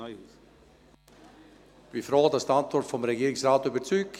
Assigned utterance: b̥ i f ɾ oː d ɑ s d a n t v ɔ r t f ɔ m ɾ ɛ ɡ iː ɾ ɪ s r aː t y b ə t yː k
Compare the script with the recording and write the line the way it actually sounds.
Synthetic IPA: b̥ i f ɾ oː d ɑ s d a n t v ɔ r t f ɔ m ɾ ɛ ɡ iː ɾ ɪ s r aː t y b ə t͡s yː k

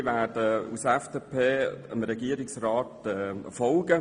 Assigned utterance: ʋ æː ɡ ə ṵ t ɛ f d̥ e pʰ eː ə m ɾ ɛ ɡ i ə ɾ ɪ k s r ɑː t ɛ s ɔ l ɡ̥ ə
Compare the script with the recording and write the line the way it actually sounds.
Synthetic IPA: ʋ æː d ə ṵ s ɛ f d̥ e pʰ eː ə m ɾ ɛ ɡ i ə ɾ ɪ k s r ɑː t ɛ f ɔ l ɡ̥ ə

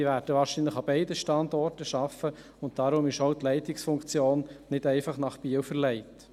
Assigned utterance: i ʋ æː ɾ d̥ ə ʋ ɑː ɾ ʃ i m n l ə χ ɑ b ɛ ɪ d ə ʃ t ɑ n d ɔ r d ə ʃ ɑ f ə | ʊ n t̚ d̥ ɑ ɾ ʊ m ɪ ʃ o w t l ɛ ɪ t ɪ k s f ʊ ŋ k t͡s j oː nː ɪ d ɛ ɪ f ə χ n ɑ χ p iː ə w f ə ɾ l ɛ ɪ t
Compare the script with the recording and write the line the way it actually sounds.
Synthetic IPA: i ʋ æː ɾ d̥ ə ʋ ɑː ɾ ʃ i n l ə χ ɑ b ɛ ɪ d ə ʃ t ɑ n d ɔ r t ə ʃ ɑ f ə | ʊ n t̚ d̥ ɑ ɾ ʊ m ɪ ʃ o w t l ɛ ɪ t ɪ k s f ʊ ŋ k t͡s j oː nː ɪ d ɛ ɪ f ɑ χ n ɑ χ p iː ə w f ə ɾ l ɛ ɪ t

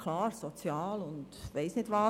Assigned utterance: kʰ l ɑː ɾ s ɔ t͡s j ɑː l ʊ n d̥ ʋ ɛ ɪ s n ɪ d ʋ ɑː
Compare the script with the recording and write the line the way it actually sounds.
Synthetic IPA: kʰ l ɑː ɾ s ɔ t͡s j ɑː l ʊ n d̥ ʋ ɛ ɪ s n ɪ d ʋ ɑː

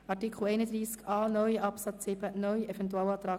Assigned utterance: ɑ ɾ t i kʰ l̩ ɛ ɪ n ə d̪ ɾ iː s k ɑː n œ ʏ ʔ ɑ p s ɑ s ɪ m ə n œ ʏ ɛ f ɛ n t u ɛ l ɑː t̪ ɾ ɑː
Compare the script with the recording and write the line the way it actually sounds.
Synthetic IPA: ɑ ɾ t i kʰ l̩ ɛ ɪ n ə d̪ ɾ iː s k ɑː n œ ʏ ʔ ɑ p s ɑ t͡s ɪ b ə n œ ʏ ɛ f ɛ n t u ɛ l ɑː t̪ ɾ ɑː

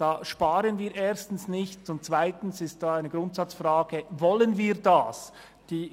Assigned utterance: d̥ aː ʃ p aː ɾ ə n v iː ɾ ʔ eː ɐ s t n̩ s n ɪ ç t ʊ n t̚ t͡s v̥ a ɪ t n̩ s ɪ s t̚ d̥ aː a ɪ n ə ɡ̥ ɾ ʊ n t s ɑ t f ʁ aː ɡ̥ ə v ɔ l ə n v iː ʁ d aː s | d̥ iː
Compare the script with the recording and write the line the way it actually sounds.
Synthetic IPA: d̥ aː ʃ p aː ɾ ə n v iː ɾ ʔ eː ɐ s t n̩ s n ɪ ç t ʊ n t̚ t͡s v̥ a ɪ t n̩ s ɪ s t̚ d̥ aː a ɪ n ə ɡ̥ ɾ ʊ n t s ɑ t͡s f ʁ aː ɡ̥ ə v ɔ l ə n v iː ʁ d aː s | d̥ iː

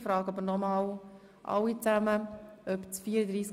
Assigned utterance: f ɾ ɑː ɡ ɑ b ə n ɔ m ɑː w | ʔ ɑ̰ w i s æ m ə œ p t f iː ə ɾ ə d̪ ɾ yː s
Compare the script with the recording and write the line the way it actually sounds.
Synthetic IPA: f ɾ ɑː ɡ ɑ b ə n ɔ m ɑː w | ʔ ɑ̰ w i t͡s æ m ə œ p t͡s f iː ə ɾ ə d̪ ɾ iː s

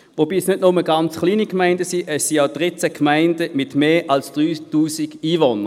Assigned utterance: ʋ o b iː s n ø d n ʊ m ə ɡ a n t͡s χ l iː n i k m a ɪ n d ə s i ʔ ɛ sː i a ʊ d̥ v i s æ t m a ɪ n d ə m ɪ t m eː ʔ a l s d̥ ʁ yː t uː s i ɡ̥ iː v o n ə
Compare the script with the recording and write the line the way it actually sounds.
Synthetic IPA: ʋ o b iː s n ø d n ʊ m ə ɡ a n t͡s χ l iː n i k m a ɪ n d ə s i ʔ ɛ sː i a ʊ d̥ ʁ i t͡s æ k m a ɪ n d ə m ɪ t m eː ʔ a l s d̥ ʁ yː t uː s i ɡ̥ iː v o n ə

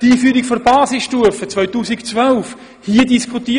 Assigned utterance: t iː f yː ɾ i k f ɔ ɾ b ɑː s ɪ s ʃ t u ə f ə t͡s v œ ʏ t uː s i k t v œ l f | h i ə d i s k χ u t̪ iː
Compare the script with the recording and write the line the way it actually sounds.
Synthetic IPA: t iː f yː ɾ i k f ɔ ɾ b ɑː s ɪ s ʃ t u ə f ə t͡s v œ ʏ t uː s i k t͡s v œ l f | h i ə d i s k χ u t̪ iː

